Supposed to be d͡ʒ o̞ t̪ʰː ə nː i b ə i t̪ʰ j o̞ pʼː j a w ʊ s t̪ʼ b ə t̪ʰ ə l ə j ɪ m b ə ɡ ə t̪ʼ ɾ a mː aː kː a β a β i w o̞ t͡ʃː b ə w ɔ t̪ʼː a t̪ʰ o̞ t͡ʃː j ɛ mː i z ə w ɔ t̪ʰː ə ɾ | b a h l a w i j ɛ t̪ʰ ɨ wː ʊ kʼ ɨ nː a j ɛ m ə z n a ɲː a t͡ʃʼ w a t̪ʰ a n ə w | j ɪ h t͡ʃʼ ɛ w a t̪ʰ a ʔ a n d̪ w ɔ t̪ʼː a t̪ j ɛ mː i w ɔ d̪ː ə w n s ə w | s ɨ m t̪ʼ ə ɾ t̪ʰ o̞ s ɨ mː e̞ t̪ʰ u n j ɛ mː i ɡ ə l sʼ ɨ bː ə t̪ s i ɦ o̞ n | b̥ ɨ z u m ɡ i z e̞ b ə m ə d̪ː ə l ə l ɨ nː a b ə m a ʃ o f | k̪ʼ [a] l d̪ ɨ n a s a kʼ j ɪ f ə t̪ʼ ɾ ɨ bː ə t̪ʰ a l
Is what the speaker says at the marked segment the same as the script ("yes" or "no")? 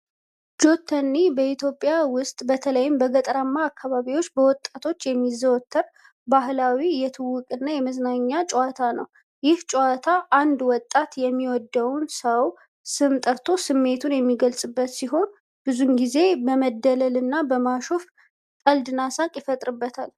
no